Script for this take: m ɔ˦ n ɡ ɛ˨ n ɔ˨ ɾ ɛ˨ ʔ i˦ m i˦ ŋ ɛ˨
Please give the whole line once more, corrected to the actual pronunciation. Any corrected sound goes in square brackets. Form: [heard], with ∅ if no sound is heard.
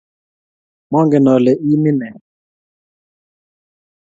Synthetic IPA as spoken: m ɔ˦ [ŋ] ɡ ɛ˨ n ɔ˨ [l] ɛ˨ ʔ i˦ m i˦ [n] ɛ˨